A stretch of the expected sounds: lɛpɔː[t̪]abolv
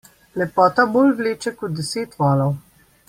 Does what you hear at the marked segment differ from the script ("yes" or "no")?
no